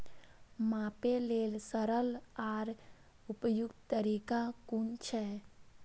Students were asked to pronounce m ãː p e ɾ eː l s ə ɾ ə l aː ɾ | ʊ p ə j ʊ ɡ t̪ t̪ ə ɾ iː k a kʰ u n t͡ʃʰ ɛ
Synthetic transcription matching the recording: m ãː p e l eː l s ə ɾ ə l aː ɾ | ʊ p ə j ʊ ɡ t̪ t̪ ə ɾ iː k a k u n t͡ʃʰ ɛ